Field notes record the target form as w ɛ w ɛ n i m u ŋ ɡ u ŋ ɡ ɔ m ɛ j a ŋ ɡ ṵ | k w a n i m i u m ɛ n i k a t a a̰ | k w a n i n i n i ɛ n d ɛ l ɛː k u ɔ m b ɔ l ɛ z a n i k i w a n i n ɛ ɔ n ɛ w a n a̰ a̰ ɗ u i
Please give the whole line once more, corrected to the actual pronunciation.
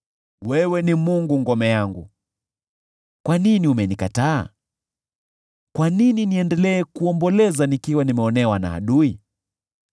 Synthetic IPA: w ɛ w ɛ n i m u ŋ ɡ u ŋ ɡ ɔ m ɛ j a ŋ ɡ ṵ | k w a n i n i u m ɛ n i k a t a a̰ | k w a n i n i n i ɛ n d ɛ l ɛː k u ɔ m b ɔ l ɛ z a n i k i w a n i m ɛ ɔ n ɛ w a n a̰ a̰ ɗ u i